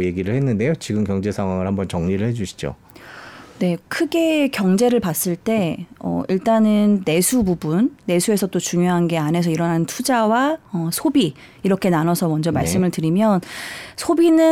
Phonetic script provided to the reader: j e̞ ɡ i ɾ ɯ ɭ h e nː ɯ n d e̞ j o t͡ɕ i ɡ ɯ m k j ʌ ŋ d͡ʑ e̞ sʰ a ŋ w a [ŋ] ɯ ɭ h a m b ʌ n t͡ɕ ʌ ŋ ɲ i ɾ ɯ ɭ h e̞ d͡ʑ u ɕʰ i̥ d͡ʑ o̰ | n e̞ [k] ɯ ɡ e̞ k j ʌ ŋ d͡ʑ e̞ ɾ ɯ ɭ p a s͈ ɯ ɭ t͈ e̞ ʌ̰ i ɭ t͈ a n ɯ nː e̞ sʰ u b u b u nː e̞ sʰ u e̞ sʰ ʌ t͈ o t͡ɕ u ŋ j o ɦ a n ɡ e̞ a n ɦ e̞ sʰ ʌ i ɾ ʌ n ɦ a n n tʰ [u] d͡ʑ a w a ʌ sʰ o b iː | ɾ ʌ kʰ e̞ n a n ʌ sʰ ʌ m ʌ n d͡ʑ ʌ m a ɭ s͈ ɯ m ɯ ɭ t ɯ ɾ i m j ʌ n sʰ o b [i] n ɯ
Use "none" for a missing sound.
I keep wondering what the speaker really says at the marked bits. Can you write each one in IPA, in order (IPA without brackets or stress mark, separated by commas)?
ŋ, kʰ, u, i